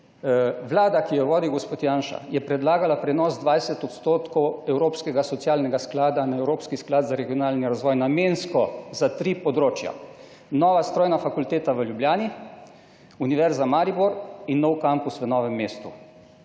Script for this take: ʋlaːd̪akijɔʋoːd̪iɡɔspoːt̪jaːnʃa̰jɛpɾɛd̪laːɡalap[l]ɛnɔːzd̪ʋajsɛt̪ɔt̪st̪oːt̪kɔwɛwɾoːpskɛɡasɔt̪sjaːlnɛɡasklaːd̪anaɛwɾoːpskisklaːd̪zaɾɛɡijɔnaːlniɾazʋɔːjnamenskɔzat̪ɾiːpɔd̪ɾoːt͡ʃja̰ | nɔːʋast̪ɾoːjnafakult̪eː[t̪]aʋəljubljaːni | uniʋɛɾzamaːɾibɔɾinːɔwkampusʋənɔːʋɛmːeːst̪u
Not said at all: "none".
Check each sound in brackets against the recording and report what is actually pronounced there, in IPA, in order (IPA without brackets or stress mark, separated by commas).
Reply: ɾ, t̪